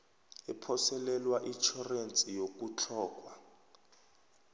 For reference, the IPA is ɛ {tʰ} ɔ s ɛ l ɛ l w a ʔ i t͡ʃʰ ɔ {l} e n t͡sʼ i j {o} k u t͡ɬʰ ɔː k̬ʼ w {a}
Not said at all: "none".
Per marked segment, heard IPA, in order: pʰ, r, o, a

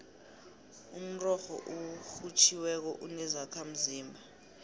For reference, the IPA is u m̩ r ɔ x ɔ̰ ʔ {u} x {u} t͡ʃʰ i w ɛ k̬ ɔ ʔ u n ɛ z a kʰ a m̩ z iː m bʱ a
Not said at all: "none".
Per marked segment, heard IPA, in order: u, u

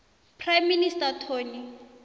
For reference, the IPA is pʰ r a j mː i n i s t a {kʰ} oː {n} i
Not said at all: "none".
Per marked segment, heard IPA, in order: tʰ, n

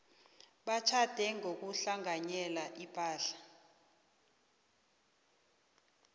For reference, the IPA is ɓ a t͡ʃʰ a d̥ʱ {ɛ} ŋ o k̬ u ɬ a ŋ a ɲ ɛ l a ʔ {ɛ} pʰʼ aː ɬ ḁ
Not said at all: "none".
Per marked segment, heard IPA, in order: ɛ, i

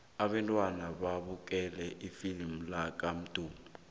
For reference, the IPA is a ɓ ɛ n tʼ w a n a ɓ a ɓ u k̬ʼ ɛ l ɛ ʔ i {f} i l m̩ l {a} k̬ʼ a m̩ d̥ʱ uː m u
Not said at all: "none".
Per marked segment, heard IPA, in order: f, a

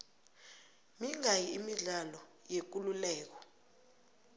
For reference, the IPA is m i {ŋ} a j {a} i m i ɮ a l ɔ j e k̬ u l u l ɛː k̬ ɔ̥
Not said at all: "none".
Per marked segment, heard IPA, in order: ŋ, i

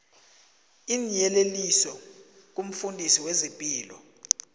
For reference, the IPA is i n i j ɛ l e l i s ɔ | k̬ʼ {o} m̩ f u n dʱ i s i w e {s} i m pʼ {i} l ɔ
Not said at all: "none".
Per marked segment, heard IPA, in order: u, z, iː

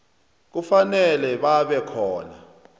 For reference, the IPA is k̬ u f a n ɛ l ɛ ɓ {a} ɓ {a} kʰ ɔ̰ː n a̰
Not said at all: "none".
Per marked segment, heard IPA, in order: a, ɛ

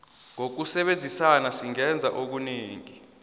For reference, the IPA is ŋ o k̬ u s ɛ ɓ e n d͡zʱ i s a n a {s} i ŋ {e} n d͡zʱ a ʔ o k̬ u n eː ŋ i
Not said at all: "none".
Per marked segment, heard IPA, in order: s, ɛ

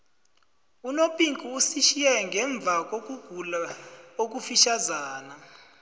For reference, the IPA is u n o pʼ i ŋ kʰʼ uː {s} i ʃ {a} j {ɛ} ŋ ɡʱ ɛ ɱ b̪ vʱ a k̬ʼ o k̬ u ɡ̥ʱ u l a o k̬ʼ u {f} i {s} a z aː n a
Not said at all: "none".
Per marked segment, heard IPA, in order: s, i, ɛ, f, ʃ

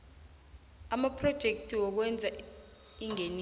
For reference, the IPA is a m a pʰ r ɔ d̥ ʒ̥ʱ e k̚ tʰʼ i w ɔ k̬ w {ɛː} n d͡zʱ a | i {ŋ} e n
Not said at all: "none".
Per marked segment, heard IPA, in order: ɛ, ŋ

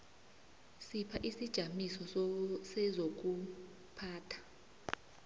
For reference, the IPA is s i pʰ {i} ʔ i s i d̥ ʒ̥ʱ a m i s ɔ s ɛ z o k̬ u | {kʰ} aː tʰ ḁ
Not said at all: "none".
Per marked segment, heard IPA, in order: a, pʰ

